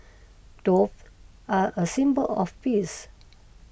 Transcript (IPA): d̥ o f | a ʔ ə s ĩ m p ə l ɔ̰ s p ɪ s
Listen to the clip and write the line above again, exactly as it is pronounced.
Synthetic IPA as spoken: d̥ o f | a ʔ ə s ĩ m b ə l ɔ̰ f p i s